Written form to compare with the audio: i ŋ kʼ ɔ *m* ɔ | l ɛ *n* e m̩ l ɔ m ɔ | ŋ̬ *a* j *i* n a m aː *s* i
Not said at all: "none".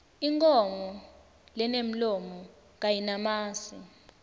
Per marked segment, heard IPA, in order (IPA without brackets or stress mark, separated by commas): m, n, a, i, s